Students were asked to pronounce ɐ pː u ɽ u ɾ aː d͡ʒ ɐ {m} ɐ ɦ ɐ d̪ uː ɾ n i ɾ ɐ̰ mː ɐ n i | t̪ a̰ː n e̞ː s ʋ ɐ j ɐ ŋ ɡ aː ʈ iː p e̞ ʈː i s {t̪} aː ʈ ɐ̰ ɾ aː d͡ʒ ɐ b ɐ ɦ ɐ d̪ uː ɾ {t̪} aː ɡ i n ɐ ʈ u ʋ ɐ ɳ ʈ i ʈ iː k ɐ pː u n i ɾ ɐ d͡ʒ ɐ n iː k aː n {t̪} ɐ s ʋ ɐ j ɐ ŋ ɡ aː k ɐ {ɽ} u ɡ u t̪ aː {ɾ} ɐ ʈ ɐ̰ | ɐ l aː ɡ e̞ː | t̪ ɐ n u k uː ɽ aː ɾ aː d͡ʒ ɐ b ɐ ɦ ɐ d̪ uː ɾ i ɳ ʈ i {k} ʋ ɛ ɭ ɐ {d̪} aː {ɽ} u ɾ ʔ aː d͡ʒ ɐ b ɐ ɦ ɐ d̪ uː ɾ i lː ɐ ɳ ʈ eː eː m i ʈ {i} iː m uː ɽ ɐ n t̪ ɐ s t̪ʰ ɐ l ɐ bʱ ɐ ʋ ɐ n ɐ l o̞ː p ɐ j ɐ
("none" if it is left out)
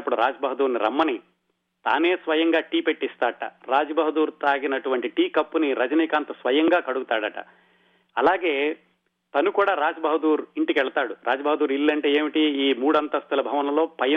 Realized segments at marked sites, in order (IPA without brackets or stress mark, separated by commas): b, t̪, t̪, t̪, ɽ, ɽ, k, t̪, ɽ, i